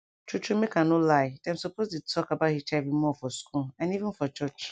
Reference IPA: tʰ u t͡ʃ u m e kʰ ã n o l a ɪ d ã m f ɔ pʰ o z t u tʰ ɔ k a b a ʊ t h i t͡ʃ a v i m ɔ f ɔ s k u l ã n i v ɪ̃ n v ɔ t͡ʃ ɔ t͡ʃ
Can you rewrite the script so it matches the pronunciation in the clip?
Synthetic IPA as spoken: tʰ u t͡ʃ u m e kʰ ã n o l a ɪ d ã m s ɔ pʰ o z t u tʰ ɔ k a b a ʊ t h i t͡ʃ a v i m ɔ f ɔ s k u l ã n i v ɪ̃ n f ɔ t͡ʃ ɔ t͡ʃ